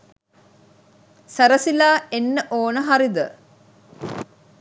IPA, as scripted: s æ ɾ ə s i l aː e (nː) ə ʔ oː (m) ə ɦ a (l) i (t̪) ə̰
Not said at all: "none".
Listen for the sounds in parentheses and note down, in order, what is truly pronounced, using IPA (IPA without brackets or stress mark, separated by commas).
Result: nː, n, ɾ, d̪